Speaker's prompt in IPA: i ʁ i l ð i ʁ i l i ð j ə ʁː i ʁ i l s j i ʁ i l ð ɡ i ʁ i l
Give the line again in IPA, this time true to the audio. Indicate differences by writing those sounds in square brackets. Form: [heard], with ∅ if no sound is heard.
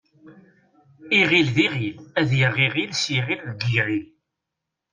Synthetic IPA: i ʁ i l ð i ʁ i l [æ] ð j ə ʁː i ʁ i l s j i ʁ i l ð ɡ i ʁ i l